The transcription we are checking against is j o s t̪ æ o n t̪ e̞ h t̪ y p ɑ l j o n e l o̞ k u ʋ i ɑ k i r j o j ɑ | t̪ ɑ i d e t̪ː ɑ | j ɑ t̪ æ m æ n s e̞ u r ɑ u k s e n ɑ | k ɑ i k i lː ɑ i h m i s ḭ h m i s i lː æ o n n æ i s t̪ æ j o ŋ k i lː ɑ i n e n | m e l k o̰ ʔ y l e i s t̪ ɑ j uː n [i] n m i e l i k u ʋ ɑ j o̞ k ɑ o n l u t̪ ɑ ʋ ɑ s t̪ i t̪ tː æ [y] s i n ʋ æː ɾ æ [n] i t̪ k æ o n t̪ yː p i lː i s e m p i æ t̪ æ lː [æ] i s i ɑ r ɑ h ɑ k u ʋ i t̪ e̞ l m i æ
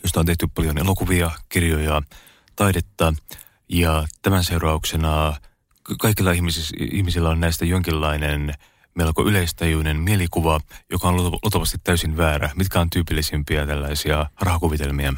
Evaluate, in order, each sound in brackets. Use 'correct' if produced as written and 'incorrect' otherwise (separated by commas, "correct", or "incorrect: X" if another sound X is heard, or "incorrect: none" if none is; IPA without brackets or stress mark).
incorrect: e, correct, incorrect: m, correct